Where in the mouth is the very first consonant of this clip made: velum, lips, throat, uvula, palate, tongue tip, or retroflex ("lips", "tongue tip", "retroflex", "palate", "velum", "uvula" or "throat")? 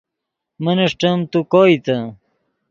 lips